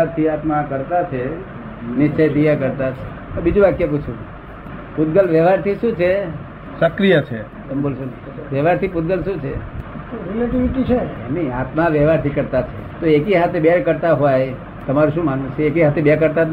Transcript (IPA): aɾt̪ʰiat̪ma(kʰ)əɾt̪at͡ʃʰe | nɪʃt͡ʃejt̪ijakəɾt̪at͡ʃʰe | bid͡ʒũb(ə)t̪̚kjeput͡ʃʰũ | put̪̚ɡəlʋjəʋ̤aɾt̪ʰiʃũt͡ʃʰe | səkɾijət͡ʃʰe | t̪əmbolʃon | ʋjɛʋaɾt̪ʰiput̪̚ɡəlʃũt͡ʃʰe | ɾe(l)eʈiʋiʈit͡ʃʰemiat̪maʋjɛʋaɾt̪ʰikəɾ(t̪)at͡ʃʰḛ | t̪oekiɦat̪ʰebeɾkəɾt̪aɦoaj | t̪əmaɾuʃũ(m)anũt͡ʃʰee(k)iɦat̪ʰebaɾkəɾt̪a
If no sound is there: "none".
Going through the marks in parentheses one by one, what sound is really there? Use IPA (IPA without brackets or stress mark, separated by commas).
k, a, l, t̪, m, k